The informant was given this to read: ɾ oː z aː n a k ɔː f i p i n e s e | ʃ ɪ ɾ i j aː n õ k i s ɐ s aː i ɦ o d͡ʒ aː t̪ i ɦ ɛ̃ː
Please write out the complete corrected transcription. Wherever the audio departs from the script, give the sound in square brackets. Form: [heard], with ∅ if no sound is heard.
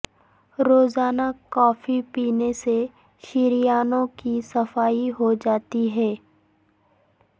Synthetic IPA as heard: ɾ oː z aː n a k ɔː f i p [iː] n e s e | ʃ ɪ ɾ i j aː n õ k i s ɐ [f] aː i ɦ o d͡ʒ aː t̪ i ɦ [ɛː]

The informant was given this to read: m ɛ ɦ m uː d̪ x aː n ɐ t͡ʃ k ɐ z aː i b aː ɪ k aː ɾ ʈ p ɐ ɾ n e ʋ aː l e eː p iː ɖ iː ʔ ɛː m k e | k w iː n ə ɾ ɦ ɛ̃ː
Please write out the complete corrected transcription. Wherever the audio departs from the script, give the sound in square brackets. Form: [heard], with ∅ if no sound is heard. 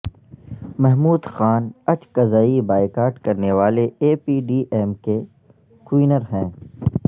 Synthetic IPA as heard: m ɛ ɦ m uː d̪ x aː n ɐ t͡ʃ k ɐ z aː i b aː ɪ k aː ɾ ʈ [k] ɐ ɾ n e ʋ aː l e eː p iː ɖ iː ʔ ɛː m k e | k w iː n ə ɾ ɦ ɛ̃ː

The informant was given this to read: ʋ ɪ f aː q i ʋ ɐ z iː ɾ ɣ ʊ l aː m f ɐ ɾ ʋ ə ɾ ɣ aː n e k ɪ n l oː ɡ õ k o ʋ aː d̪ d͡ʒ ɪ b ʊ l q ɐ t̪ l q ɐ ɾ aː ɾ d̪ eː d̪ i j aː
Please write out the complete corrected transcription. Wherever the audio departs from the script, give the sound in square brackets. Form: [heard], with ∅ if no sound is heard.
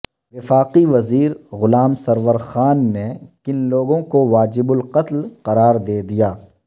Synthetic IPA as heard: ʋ ɪ f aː q i ʋ ɐ z iː ɾ ɣ ʊ l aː m [s] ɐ ɾ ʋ ə ɾ [x] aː [nː] e k ɪ n l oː ɡ õ k o ʋ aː [∅] d͡ʒ ɪ b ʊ l q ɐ t̪ l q ɐ ɾ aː ɾ d̪ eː d̪ i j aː

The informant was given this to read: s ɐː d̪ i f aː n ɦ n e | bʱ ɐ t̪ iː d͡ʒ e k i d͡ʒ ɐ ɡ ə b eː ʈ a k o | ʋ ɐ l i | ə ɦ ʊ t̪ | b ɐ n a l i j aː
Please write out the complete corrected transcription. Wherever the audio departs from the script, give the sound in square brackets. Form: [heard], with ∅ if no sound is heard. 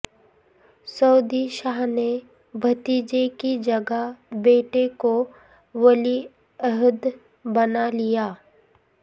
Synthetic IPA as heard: s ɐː d̪ i [ʃ] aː [∅] ɦ n e | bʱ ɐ t̪ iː d͡ʒ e k i d͡ʒ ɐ ɡ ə b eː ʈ [e] k o | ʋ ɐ l i | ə ɦ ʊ [d̪] | b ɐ n a l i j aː

